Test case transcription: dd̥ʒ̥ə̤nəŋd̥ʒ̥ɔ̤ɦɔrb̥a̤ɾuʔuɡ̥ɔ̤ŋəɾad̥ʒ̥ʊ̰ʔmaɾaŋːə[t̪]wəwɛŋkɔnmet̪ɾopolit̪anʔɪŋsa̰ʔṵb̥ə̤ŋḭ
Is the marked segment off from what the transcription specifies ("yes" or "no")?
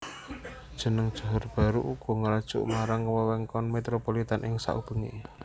yes